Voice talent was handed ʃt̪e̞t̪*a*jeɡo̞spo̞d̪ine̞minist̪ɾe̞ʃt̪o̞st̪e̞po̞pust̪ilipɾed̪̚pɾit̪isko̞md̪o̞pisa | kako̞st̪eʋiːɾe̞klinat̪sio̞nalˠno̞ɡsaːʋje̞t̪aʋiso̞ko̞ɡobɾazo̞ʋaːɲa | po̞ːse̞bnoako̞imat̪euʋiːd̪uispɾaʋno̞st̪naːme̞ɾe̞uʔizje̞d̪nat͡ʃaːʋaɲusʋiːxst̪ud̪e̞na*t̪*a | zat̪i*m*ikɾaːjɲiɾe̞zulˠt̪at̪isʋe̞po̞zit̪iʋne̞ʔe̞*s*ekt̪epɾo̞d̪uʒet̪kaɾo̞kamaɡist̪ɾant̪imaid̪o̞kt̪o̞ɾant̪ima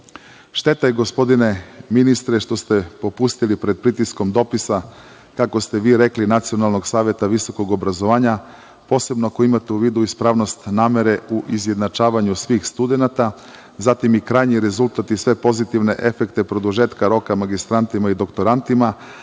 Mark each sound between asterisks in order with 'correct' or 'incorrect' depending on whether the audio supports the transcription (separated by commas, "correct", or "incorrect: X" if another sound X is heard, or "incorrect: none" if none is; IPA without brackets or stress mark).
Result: correct, correct, correct, incorrect: f